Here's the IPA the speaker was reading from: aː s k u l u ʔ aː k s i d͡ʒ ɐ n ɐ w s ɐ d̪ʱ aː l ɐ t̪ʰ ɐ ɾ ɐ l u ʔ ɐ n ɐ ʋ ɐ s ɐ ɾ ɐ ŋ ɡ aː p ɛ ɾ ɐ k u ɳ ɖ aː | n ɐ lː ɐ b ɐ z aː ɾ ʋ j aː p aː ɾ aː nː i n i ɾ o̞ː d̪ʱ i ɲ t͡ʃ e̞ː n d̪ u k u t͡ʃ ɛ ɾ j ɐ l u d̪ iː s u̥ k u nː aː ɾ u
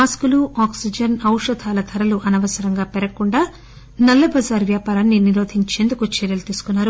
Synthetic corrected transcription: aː s k u l u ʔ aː k s i d͡ʒ ɐ n ɐ w ʂ ɐ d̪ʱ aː l ɐ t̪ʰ ɐ ɾ ɐ l u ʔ ɐ n ɐ ʋ ɐ s ɐ ɾ ɐ ŋ ɡ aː p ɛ ɾ ɐ k u ɳ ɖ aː | n ɐ lː ɐ b ɐ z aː ɾ ʋ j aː p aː ɾ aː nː i n i ɾ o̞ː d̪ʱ i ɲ t͡ʃ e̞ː n d̪ u k u t͡ʃ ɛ ɾ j ɐ l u t̪ iː s u̥ k u nː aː ɾ u